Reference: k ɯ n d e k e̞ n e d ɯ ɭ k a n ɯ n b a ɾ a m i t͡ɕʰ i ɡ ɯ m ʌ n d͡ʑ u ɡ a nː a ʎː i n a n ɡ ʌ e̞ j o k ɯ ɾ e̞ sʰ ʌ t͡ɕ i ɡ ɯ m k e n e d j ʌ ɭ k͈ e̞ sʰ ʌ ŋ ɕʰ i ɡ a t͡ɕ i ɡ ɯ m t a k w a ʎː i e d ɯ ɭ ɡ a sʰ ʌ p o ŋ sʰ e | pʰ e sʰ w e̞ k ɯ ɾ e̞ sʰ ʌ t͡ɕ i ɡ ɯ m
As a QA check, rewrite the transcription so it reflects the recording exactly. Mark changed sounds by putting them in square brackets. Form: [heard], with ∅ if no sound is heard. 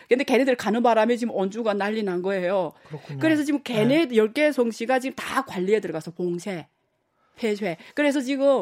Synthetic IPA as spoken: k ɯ n d e k e̞ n e d ɯ ɭ k a n ɯ n b a ɾ a m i [t͡ɕ] i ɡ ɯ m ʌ n d͡ʑ u ɡ a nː a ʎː i n a n ɡ ʌ e̞ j o k ɯ ɾ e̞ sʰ ʌ t͡ɕ i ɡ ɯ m k e n e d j ʌ ɭ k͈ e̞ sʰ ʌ ŋ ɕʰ i ɡ a t͡ɕ i ɡ ɯ m t a k w a ʎː i e d ɯ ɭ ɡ a sʰ ʌ p o ŋ sʰ e | pʰ e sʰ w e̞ k ɯ ɾ e̞ sʰ ʌ t͡ɕ i ɡ ɯ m